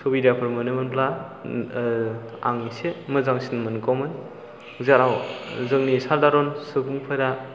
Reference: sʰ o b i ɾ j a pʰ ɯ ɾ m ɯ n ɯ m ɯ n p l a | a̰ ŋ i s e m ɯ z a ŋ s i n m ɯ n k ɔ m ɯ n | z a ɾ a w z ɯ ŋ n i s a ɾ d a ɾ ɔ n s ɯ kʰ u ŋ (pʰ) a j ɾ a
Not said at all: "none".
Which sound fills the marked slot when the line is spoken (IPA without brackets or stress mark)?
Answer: pʰ